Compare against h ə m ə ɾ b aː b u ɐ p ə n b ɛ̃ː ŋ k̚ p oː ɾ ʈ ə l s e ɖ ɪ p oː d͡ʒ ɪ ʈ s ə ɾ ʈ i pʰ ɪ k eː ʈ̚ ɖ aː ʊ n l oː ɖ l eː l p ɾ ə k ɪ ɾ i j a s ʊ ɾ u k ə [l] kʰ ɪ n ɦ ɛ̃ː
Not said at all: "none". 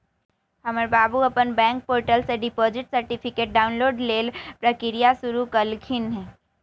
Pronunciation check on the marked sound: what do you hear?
l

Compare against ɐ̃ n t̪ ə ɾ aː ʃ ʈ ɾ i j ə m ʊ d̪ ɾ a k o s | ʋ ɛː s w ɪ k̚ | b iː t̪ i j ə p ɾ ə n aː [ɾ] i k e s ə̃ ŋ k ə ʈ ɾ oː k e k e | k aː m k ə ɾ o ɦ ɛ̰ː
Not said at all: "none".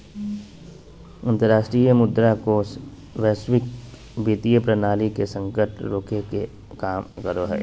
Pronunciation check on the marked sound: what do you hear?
l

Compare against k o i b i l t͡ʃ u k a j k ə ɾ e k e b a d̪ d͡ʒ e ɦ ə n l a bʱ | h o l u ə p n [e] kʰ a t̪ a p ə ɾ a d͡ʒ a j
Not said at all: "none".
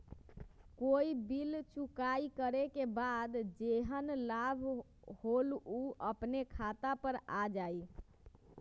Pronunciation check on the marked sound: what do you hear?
e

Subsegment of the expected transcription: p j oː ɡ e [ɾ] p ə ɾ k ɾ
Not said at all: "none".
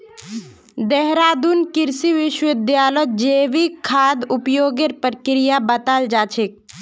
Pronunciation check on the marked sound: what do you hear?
ɾ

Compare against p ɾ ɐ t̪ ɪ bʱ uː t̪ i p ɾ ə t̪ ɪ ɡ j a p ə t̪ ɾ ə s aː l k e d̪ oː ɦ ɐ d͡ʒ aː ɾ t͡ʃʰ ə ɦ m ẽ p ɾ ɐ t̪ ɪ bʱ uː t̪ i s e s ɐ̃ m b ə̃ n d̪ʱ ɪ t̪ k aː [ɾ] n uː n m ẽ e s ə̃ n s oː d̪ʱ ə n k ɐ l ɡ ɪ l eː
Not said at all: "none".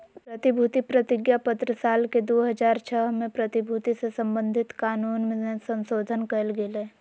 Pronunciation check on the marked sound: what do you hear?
none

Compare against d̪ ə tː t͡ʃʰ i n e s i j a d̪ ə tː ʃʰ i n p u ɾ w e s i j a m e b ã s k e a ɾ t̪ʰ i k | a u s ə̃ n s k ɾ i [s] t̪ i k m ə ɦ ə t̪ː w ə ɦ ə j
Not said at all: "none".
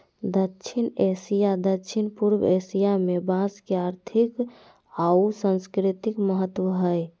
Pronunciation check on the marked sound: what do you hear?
none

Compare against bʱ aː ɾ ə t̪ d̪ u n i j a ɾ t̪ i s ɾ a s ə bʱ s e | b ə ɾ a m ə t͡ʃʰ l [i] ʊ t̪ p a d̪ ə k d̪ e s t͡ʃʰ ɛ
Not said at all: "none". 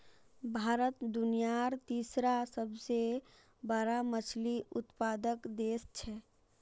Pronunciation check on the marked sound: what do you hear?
i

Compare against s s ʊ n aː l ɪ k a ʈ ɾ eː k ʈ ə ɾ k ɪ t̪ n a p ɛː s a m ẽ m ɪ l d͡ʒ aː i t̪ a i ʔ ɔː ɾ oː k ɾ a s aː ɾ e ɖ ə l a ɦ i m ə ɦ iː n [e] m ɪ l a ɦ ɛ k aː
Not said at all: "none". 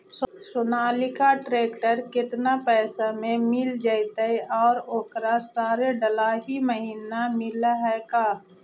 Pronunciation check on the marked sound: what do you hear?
a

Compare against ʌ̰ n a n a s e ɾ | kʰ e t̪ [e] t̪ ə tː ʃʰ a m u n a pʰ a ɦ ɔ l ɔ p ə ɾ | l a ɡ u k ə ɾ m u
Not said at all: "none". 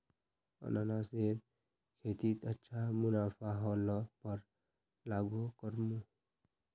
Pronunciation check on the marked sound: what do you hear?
i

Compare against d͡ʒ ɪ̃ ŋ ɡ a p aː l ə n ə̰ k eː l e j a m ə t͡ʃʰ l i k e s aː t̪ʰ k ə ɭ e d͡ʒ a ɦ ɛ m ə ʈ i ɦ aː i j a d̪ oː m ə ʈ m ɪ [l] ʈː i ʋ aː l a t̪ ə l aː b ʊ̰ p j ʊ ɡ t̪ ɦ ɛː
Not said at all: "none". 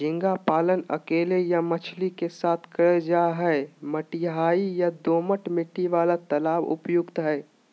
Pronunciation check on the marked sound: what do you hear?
none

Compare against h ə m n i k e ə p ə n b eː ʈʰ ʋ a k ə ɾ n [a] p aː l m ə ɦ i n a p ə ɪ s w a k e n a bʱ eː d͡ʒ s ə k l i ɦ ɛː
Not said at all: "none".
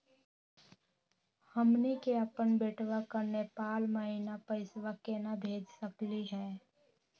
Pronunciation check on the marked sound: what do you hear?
e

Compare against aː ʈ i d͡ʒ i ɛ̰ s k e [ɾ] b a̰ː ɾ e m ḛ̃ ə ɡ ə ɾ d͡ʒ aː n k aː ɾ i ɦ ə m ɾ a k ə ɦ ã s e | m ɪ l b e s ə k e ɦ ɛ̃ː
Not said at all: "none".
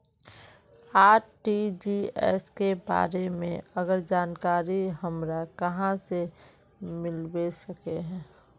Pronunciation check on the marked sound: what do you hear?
none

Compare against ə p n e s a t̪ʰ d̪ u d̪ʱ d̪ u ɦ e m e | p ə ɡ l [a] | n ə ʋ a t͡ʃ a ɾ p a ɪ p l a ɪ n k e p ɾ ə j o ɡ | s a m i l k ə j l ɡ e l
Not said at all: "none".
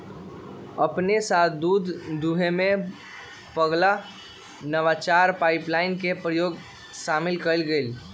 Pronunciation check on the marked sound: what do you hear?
a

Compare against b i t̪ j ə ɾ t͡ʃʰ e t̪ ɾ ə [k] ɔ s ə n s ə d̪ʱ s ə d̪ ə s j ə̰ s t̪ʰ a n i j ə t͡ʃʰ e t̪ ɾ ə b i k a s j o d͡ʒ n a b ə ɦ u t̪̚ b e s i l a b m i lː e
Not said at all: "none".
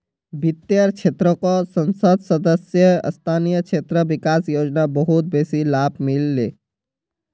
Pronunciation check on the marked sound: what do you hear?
k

